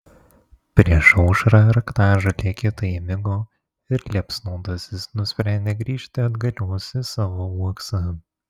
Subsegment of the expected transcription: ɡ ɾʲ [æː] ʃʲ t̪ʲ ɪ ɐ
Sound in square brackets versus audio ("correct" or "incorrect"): incorrect